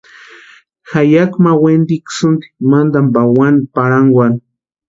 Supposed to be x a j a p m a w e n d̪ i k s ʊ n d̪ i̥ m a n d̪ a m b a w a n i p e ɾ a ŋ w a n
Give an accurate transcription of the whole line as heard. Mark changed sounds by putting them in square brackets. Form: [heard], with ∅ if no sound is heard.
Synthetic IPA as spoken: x a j a [k] m a w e n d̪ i k s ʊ n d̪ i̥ m a n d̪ a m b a w a n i p [a] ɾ a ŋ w a n